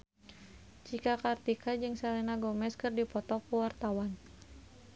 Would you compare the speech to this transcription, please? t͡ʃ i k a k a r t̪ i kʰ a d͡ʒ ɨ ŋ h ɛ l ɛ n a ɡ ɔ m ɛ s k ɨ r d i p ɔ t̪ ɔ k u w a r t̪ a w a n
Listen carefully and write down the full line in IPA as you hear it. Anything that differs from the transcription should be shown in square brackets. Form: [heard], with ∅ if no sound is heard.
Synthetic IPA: t͡ʃ i k a k a r t̪ i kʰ a d͡ʒ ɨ ŋ [s] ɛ l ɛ n a ɡ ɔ m ɛ s k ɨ r d i p ɔ t̪ ɔ k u w a r t̪ a w a n